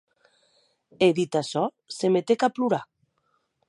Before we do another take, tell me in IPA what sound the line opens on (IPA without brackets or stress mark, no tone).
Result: e